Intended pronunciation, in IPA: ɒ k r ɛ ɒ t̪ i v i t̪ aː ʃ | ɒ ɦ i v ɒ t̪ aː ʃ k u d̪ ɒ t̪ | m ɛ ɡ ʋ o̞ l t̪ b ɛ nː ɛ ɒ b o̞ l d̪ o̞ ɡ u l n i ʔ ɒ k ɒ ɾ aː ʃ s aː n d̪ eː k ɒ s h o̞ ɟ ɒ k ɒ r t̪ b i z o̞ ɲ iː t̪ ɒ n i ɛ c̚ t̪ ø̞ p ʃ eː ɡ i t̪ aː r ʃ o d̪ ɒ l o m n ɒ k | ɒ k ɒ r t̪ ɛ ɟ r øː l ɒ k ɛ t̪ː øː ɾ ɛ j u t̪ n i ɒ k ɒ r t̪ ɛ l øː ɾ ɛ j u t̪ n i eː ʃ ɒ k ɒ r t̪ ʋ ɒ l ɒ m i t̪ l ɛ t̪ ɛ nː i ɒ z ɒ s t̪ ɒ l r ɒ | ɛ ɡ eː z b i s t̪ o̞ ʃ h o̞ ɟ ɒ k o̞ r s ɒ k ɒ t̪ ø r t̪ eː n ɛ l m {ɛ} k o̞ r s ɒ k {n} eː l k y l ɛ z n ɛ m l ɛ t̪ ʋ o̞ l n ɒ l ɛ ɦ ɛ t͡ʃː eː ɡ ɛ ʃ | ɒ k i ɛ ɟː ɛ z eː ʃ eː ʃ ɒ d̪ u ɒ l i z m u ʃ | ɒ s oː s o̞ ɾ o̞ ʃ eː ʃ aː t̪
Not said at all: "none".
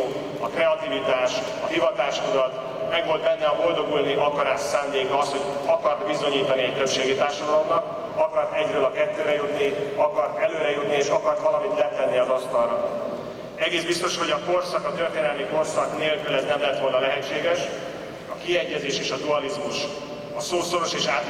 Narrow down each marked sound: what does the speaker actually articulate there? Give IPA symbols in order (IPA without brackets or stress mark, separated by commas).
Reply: i, n